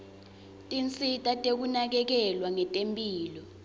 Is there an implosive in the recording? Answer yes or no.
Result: no